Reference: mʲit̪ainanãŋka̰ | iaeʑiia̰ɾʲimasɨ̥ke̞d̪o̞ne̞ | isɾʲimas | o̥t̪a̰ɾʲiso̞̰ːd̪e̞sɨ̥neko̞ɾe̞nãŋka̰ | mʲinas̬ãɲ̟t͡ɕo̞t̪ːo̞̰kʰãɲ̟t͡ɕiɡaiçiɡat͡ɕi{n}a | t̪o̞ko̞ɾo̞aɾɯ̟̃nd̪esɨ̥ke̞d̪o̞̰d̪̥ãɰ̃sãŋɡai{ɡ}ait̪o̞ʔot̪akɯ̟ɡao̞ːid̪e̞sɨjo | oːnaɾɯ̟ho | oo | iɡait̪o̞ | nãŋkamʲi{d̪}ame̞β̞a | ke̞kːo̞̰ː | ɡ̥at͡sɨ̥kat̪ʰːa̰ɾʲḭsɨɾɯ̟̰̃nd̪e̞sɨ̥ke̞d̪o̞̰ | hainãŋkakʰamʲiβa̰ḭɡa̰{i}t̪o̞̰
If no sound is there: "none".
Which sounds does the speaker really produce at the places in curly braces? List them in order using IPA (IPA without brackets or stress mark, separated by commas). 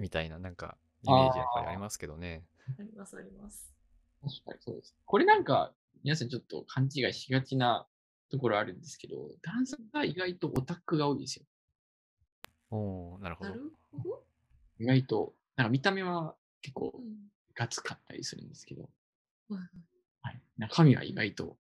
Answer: n, ɡ, t̪, i